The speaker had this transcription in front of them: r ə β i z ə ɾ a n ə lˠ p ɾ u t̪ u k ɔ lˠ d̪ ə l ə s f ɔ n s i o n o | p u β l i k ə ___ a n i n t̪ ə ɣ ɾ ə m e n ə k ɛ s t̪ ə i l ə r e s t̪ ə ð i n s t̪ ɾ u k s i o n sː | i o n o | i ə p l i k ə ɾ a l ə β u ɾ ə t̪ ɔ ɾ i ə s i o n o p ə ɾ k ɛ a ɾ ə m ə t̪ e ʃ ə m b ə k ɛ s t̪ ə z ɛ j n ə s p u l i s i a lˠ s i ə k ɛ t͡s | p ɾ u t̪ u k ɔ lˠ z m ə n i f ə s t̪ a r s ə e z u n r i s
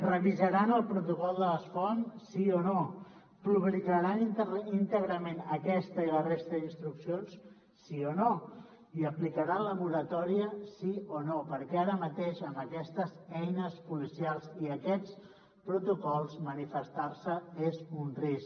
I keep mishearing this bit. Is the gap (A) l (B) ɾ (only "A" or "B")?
B